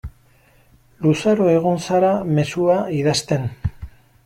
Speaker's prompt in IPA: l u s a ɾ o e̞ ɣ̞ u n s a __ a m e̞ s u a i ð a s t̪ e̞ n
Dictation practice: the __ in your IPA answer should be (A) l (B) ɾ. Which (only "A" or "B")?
B